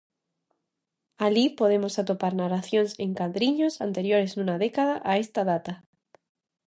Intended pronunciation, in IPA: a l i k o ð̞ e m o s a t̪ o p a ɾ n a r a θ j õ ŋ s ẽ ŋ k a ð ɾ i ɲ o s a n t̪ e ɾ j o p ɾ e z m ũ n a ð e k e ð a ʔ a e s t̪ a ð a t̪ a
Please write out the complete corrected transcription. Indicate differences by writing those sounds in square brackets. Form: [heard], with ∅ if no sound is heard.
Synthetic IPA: a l i [p] o ð̞ e m o s a t̪ o p a ɾ n a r a θ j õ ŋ s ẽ ŋ k a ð ɾ i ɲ o s a n t̪ e ɾ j o [∅] ɾ e z [n] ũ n a ð e k [a] ð a ʔ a e s t̪ a ð a t̪ a